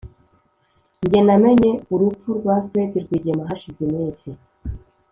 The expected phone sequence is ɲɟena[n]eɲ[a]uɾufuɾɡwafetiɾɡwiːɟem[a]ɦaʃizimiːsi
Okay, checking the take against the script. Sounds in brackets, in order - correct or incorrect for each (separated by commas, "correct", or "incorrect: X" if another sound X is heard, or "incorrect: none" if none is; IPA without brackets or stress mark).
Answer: incorrect: m, incorrect: e, correct